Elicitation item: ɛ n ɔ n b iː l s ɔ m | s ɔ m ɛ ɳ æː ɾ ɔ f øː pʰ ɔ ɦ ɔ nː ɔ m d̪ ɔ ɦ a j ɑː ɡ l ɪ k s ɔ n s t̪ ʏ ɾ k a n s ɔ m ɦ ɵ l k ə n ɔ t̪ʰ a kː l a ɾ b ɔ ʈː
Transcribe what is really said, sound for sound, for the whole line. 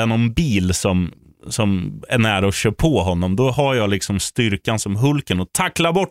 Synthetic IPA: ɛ n ɔ n b iː l s ɔ m | s ɔ m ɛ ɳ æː ɾ ɔ ɕ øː pʰ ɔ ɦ ɔ nː ɔ m d̪ ɔ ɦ a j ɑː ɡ l ɪ k s ɔ m s t̪ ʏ ɾ k a n s ɔ m ɦ ɵ l k ə n ɔ t̪ʰ a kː l a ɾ b ɔ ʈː